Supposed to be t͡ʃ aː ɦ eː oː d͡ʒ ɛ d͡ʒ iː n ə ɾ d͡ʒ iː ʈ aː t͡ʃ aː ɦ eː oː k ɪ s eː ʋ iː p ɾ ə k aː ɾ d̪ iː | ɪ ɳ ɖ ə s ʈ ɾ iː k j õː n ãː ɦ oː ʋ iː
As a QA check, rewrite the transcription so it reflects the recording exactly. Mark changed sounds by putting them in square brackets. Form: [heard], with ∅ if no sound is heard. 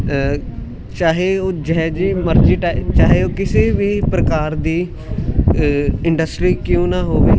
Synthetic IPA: t͡ʃ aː ɦ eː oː d͡ʒ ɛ d͡ʒ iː [m] ə ɾ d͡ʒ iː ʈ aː t͡ʃ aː ɦ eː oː k ɪ s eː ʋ iː p ɾ ə k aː ɾ d̪ iː | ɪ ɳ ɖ ə s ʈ ɾ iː k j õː n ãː ɦ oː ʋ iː

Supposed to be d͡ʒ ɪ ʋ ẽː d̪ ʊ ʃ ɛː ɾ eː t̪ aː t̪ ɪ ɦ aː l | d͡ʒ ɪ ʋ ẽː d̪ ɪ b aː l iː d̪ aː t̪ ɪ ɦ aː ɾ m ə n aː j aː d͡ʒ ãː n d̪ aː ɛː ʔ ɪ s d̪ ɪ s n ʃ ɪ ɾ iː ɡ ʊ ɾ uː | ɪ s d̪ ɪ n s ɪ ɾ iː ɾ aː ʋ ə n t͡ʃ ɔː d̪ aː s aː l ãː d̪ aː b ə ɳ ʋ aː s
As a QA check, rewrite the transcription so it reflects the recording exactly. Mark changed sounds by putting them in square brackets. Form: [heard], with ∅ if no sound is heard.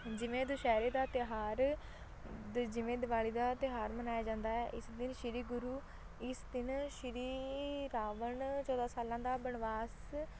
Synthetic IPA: d͡ʒ ɪ ʋ ẽː d̪ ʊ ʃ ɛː ɾ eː [d̪] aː t̪ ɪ ɦ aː [ɾ] | d͡ʒ ɪ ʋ ẽː d̪ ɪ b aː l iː d̪ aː t̪ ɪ ɦ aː ɾ m ə n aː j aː d͡ʒ ãː n d̪ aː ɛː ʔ ɪ s d̪ ɪ [∅] n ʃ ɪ ɾ iː ɡ ʊ ɾ uː | ɪ s d̪ ɪ n [ʃ] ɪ ɾ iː ɾ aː ʋ ə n t͡ʃ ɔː d̪ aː s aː l ãː d̪ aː b ə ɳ ʋ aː s

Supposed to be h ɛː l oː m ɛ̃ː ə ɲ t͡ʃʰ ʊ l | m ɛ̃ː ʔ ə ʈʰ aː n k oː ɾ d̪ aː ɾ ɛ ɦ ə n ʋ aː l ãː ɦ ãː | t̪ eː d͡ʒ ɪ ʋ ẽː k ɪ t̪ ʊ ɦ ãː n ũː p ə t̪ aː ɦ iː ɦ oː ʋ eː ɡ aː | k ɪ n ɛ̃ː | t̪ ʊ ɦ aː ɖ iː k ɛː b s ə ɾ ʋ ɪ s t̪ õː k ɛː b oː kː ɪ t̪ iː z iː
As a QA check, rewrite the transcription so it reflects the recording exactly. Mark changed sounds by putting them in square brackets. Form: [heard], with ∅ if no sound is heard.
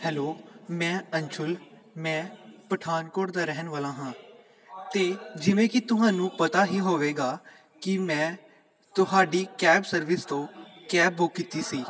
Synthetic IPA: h ɛː l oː m ɛ̃ː ə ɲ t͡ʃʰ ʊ l | m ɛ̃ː [p] ə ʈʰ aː n k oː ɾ d̪ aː ɾ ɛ ɦ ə n ʋ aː l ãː ɦ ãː | t̪ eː d͡ʒ ɪ ʋ ẽː k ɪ t̪ ʊ ɦ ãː n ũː p ə t̪ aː ɦ iː ɦ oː ʋ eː ɡ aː | k ɪ [m] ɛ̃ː | t̪ ʊ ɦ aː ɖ iː k ɛː b s ə ɾ ʋ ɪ s t̪ õː k ɛː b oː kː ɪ t̪ iː [s] iː

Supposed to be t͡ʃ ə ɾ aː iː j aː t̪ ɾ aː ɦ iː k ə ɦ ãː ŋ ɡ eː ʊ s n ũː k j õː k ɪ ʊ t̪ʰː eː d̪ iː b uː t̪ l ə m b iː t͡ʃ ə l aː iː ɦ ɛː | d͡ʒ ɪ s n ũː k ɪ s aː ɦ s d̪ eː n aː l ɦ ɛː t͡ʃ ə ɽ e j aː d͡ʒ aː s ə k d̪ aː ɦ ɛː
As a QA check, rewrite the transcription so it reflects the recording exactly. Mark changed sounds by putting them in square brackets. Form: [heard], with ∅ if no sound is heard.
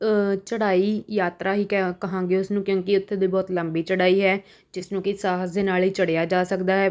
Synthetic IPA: t͡ʃ ə [ɽ] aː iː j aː t̪ ɾ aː ɦ iː k ə ɦ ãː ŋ ɡ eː ʊ s n ũː k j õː k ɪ ʊ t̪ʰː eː d̪ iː b [ɔː] t̪ l ə m b iː t͡ʃ ə [ɽ] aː iː ɦ ɛː | d͡ʒ ɪ s n ũː k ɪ s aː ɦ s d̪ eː n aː l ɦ [iː] t͡ʃ ə ɽ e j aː d͡ʒ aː s ə k d̪ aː ɦ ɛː

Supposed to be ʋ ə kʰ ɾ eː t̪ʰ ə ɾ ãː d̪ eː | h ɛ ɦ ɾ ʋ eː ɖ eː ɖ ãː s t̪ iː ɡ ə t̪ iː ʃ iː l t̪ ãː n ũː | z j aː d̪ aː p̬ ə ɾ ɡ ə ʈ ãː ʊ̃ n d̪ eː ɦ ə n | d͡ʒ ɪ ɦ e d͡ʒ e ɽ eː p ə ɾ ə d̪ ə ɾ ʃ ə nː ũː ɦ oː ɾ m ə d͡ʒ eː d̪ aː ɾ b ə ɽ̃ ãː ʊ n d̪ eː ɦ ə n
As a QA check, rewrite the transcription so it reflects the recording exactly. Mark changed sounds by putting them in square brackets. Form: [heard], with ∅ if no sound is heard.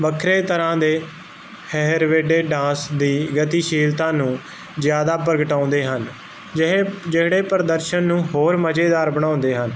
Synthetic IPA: ʋ ə kʰ ɾ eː [t̪] ə ɾ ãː d̪ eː | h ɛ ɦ ɾ ʋ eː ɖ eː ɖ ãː s [d̪] iː ɡ ə t̪ iː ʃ iː l t̪ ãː n ũː | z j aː d̪ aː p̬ ə ɾ ɡ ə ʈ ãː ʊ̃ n d̪ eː ɦ ə n | d͡ʒ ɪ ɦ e d͡ʒ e ɽ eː p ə ɾ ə d̪ ə ɾ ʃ ə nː ũː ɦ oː ɾ m ə d͡ʒ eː d̪ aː ɾ b ə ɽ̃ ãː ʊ n d̪ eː ɦ ə n

